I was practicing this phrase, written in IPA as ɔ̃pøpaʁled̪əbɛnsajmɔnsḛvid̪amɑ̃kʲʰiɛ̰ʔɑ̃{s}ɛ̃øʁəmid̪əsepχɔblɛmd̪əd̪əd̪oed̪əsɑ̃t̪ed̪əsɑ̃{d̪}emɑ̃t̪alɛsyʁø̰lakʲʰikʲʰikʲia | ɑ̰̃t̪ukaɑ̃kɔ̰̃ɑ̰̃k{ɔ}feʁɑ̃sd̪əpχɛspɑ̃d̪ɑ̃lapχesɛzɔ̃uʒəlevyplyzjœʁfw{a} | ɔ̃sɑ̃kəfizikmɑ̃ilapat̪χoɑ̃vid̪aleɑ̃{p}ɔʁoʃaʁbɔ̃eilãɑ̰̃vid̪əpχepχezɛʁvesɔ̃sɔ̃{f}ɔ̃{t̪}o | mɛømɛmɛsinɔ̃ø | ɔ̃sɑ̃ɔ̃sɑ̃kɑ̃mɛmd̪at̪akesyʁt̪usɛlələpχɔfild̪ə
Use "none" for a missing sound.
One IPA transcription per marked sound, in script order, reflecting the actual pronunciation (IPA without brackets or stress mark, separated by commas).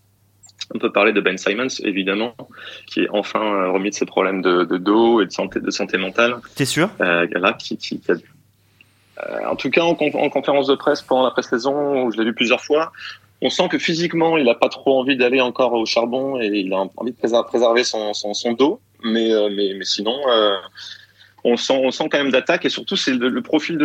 f, t̪, ɔ̃, a, k, s, d̪